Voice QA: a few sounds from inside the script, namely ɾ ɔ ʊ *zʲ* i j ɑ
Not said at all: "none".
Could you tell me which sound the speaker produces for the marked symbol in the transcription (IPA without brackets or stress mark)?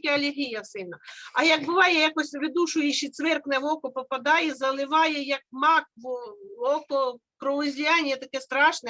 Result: zʲ